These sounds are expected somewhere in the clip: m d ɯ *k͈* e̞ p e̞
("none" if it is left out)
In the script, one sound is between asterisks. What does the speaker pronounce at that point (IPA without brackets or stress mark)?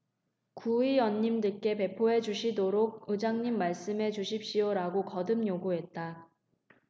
k͈